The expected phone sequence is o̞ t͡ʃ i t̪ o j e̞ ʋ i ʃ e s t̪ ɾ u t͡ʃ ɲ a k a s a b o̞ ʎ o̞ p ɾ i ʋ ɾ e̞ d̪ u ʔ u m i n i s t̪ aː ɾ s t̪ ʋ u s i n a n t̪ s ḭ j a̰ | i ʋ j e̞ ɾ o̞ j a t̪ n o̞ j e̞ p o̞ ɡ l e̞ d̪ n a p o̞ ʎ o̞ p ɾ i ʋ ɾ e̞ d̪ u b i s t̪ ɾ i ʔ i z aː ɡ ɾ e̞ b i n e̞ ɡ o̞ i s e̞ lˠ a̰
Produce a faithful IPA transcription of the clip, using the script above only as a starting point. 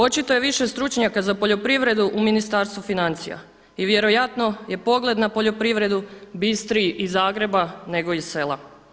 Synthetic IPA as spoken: o̞ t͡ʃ i t̪ o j e̞ ʋ i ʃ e s t̪ ɾ u t͡ʃ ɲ a k a z a p o̞ ʎ o̞ p ɾ i ʋ ɾ e̞ d̪ u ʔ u m i n i s t̪ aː ɾ s t̪ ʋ u f i n a n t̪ s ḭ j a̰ | i ʋ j e̞ ɾ o̞ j a t̪ n o̞ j e̞ p o̞ ɡ l e̞ d̪ n a p o̞ ʎ o̞ p ɾ i ʋ ɾ e̞ d̪ u b i s t̪ ɾ i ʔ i z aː ɡ ɾ e̞ b a n e̞ ɡ o̞ i s e̞ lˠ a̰